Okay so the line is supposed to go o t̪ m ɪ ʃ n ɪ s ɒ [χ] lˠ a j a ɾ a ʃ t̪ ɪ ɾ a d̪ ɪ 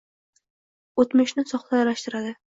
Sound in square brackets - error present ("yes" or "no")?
no